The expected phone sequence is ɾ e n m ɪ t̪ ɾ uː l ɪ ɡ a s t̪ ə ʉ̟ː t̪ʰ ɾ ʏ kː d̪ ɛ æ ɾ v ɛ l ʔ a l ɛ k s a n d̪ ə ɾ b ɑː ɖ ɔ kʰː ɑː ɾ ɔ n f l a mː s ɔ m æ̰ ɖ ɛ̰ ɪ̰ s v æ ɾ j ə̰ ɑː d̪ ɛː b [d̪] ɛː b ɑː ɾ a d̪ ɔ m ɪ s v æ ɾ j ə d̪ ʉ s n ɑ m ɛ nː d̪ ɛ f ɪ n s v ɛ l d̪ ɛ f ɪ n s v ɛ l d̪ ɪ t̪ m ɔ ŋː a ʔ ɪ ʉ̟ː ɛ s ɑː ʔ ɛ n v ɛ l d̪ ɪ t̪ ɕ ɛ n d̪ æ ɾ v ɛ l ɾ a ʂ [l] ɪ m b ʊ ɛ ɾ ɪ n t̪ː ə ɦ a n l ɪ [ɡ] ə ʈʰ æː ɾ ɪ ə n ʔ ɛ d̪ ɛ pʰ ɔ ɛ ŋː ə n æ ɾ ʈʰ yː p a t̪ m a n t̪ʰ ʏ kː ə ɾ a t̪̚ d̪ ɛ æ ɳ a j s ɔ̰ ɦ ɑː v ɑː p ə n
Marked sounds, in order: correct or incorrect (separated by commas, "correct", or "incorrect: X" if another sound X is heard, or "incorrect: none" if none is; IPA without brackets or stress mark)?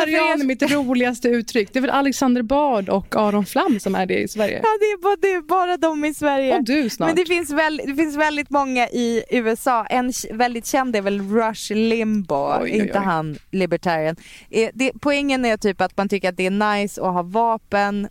correct, correct, incorrect: b